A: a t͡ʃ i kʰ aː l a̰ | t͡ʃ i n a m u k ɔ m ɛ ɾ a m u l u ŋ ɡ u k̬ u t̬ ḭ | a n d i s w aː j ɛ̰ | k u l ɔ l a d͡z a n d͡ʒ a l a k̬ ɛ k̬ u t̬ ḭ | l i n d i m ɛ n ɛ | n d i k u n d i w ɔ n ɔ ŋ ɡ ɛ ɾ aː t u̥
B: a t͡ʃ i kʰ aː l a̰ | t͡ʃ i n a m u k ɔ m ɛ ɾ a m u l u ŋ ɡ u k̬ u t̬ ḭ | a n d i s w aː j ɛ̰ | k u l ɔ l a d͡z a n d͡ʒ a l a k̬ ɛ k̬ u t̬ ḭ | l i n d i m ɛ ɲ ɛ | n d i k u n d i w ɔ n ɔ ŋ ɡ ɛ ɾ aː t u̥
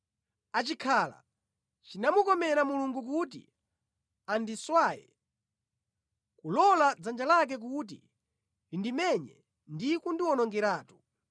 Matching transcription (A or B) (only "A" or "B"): B